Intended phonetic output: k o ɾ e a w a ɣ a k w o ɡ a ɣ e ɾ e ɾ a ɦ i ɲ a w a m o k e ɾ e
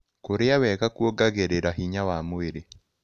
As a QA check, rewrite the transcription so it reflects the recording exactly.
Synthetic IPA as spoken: k o ɾ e a w ɛ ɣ a k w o ɡ a ɣ e ɾ e ɾ a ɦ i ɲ a w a m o e ɾ e